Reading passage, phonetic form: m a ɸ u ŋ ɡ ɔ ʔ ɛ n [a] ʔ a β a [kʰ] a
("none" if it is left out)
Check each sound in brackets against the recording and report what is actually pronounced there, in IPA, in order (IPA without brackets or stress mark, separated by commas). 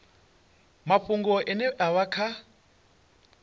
ɛ, kʰ